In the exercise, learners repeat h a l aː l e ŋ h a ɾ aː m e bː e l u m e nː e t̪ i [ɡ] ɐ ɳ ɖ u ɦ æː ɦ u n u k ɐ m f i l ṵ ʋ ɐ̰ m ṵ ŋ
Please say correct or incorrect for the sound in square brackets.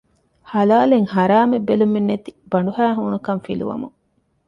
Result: incorrect